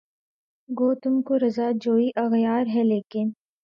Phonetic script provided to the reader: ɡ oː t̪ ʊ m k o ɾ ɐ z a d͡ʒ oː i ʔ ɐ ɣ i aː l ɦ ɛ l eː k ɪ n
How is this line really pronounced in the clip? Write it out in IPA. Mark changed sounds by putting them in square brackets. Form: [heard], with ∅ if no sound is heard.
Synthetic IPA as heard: ɡ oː t̪ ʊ m k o ɾ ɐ z a d͡ʒ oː i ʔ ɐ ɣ [j] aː [ɾ] ɦ ɛ l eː k ɪ n

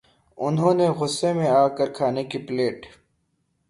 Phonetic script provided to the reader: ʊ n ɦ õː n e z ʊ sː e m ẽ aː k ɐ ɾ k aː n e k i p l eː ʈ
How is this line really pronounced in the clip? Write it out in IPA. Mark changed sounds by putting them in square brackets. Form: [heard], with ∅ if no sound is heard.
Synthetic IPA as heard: ʊ n ɦ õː n e [ɣ] ʊ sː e m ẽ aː k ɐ ɾ [kʰ] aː n e k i p l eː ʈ

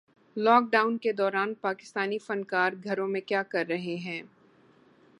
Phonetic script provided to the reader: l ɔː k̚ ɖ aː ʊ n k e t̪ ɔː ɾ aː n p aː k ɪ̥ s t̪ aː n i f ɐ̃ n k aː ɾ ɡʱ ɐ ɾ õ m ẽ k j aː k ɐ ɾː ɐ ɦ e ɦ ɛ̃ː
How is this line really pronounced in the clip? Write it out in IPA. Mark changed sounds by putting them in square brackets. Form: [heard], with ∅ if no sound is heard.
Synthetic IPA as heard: l ɔː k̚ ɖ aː ʊ n k e [d̪] ɔː ɾ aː n p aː k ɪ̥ s t̪ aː n i f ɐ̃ n k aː ɾ ɡʱ ɐ ɾ õ m ẽ k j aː k ɐ ɾː ɐ ɦ e ɦ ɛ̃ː

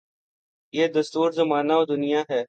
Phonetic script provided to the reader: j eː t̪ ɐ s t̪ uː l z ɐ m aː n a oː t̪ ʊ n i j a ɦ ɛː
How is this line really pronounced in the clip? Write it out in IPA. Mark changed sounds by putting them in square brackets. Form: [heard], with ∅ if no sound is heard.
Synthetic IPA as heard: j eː [d̪] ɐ s t̪ uː [ɾ] z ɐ m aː n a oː [d̪] ʊ n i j a ɦ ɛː

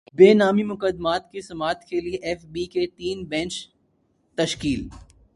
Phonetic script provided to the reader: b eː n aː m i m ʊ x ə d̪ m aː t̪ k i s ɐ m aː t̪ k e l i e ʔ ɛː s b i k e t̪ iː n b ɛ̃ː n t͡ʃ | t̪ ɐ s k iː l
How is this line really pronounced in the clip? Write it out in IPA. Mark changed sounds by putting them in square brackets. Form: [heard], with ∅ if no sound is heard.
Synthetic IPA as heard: b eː n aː m i m ʊ [k] ə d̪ m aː t̪ k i s ɐ m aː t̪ k e l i e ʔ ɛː [f] b i k e t̪ iː n b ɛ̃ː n t͡ʃ | t̪ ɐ [ʃ] k iː l

